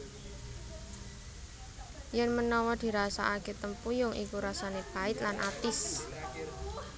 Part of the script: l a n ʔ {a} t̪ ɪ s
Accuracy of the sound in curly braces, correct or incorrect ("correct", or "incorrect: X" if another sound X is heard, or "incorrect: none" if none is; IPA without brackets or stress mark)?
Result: correct